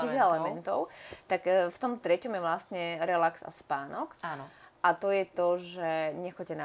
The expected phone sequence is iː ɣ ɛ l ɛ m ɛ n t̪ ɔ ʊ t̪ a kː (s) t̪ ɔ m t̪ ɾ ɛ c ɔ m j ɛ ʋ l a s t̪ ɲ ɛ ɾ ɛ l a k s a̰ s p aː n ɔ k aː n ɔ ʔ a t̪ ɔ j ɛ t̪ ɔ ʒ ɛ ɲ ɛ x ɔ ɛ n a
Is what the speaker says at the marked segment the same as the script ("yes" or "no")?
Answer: no